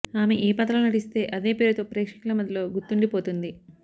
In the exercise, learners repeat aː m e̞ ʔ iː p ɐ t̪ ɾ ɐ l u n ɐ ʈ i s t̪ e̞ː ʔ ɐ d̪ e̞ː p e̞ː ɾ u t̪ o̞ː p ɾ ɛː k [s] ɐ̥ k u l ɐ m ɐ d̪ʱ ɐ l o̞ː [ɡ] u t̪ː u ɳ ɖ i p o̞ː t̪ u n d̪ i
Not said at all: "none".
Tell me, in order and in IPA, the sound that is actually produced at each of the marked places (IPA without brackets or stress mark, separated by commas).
ʂ, ɡ